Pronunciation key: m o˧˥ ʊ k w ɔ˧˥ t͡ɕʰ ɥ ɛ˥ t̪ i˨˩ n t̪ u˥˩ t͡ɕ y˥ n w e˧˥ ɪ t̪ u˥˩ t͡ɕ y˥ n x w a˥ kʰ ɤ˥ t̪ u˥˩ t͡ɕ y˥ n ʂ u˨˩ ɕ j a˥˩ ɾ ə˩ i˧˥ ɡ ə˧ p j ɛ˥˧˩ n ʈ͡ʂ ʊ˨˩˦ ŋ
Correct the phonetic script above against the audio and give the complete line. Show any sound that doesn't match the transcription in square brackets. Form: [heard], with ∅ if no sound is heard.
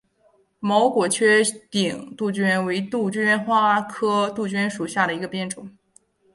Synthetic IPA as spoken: m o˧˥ ʊ k w [ɔ˨˩] t͡ɕʰ ɥ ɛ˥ t̪ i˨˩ [ŋ] t̪ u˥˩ t͡ɕ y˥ n w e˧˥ ɪ t̪ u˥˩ t͡ɕ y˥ n x w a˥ kʰ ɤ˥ t̪ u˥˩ t͡ɕ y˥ n ʂ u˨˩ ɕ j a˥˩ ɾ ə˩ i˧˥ ɡ ə˧ p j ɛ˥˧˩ n ʈ͡ʂ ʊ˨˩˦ ŋ